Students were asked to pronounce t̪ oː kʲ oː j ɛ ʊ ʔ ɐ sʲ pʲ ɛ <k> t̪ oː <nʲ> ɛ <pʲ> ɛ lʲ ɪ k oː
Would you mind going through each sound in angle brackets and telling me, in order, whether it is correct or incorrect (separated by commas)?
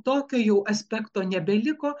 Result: correct, correct, incorrect